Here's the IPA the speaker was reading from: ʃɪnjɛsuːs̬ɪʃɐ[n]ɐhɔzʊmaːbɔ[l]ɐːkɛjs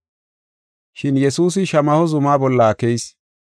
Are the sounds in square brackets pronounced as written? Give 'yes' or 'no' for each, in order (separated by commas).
no, no